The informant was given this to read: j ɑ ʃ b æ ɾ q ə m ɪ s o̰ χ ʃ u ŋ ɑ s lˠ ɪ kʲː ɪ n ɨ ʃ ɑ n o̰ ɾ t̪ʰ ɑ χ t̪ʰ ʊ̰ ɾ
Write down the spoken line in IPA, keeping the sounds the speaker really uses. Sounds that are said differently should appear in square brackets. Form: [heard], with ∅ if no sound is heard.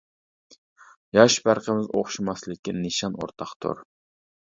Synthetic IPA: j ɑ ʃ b æ ɾ q ə m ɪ [z] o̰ χ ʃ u [m] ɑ s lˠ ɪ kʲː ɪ n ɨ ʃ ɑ n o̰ ɾ t̪ʰ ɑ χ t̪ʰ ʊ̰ ɾ

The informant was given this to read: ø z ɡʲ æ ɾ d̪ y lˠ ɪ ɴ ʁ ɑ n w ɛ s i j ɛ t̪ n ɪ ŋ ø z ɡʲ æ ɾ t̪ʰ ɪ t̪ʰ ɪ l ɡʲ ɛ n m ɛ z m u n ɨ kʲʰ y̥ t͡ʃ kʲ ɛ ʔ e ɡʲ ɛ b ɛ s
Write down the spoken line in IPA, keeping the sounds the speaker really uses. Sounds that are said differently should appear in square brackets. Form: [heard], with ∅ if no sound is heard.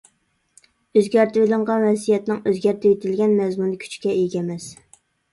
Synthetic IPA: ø z ɡʲ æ ɾ [t̪] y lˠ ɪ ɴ ʁ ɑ n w ɛ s i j ɛ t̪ n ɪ ŋ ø z ɡʲ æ ɾ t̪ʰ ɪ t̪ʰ ɪ l ɡʲ ɛ n m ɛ z m u n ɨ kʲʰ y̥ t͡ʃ kʲ ɛ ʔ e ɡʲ ɛ [m] ɛ s

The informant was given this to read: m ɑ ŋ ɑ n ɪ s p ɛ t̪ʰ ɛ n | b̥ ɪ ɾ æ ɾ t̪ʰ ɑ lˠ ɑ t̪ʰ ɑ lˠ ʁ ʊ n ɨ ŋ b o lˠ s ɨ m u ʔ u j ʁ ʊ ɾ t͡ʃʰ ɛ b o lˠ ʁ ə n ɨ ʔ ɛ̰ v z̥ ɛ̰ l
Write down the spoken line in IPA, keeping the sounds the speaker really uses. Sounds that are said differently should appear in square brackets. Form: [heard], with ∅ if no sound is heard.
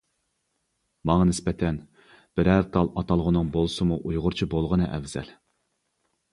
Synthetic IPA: m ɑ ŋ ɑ n ɪ s p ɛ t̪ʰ ɛ n | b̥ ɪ ɾ æ ɾ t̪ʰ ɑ lˠ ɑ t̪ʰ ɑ lˠ ʁ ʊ n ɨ ŋ b o lˠ s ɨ m u ʔ u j ʁ ʊ ɾ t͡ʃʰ [i] b o lˠ ʁ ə n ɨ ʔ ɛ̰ v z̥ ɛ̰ l

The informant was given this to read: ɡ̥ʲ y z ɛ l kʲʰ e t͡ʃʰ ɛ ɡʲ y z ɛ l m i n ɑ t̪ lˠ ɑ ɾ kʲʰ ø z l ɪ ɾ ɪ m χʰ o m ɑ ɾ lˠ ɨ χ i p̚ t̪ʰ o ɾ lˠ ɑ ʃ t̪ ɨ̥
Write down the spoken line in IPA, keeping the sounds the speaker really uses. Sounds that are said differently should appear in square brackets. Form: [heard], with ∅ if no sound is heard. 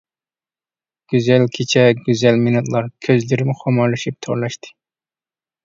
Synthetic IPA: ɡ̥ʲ y z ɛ l kʲʰ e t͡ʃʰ ɛ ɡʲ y z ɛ l m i n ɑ t̪ lˠ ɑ ɾ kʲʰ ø z l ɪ ɾ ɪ m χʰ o m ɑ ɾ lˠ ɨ [ʃ] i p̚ t̪ʰ o ɾ lˠ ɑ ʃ t̪ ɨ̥

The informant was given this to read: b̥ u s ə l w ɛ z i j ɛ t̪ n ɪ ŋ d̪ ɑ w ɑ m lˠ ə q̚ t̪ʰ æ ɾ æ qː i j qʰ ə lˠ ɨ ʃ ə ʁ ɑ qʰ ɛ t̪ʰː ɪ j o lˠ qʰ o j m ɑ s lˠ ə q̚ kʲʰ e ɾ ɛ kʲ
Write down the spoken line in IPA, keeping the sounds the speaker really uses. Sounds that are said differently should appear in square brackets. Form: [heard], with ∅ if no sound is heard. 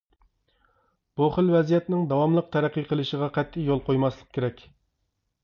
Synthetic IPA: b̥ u [χ] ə l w ɛ z i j ɛ t̪ n ɪ ŋ d̪ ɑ w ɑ m lˠ ə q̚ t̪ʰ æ ɾ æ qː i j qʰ ə lˠ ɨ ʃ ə ʁ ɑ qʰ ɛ t̪ʰː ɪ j o lˠ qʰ o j m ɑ s lˠ ə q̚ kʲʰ e ɾ ɛ kʲ

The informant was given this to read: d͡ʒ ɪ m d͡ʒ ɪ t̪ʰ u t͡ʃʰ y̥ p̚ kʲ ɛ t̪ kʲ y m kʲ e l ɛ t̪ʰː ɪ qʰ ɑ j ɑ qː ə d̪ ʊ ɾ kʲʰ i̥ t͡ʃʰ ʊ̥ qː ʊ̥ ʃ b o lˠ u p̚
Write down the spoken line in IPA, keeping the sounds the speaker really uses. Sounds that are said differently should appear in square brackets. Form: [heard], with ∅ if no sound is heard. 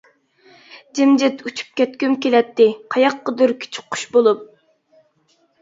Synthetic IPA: d͡ʒ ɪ m d͡ʒ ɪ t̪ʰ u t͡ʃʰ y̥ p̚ kʲ ɛ t̪ kʲ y m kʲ e l ɛ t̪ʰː ɪ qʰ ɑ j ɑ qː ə d̪ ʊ ɾ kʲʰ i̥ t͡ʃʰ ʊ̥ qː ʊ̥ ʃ b o lˠ u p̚

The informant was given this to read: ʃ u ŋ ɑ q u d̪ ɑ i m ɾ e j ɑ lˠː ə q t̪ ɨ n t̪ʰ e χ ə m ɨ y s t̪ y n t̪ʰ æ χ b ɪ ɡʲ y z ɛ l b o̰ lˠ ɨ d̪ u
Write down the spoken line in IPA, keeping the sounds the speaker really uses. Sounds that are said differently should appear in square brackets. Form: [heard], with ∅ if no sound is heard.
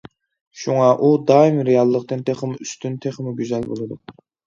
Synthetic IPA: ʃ u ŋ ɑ [ʔ] u d̪ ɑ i m ɾ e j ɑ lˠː ə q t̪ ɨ n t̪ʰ e χ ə m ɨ y s t̪ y n t̪ʰ [e] χ [m] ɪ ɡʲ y z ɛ l b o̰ lˠ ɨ d̪ u

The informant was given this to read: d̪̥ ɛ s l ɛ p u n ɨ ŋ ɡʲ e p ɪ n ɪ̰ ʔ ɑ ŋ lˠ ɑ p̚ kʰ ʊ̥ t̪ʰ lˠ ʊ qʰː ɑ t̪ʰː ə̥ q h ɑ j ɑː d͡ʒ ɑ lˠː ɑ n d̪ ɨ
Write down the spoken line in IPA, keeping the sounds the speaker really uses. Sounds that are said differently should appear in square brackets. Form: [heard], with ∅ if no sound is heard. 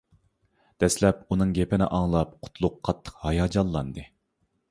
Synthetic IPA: d̪̥ ɛ s l ɛ p u n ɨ ŋ ɡʲ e p ɪ n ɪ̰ ʔ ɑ ŋ lˠ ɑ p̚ [qʰ] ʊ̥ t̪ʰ lˠ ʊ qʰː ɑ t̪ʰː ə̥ q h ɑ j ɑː d͡ʒ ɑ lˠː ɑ n d̪ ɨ

